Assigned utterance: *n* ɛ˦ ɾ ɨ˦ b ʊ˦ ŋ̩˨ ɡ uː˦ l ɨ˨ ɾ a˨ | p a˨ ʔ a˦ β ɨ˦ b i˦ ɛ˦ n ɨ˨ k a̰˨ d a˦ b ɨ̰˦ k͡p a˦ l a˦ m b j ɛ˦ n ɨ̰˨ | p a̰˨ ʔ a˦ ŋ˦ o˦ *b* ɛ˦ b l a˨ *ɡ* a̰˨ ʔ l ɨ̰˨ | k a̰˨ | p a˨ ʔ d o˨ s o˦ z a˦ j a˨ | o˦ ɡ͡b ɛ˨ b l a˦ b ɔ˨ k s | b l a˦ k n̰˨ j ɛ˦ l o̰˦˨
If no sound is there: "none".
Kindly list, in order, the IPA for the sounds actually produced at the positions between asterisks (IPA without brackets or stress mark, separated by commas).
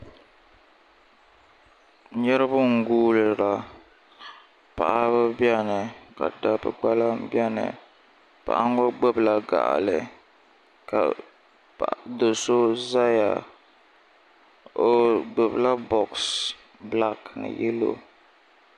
ɲ, ɡ͡b, ɡ